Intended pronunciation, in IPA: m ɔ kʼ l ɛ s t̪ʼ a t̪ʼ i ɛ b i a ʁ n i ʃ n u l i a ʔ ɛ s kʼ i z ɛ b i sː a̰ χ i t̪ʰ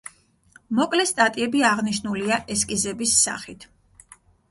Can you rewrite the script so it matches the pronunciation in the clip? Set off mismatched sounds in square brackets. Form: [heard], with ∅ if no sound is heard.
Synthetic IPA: m ɔ kʼ l ɛ s t̪ʼ a t̪ʼ i ɛ b i a ʁ n i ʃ n u l i a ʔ ɛ s kʼ i z ɛ b i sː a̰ χ i t̪ʰ